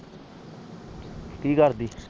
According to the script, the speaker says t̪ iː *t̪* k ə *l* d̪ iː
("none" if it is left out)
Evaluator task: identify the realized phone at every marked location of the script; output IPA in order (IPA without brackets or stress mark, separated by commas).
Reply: none, ɾ